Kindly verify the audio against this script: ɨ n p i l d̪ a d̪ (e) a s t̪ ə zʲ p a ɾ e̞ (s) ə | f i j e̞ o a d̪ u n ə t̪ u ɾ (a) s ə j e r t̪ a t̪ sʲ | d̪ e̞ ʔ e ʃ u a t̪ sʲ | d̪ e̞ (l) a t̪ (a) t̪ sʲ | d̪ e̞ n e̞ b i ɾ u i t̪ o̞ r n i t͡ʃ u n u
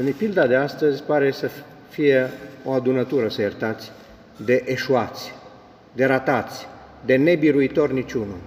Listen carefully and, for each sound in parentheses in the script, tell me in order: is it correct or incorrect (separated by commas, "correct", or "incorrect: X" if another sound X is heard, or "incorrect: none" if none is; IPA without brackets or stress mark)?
correct, correct, incorrect: ə, incorrect: ɾ, correct